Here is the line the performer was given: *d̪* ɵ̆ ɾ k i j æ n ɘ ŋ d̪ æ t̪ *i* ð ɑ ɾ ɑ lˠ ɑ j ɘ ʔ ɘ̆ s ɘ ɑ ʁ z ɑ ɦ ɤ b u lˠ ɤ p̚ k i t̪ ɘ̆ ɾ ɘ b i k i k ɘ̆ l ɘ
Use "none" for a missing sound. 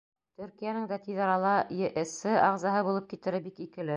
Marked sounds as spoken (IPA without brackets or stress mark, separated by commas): t̪, i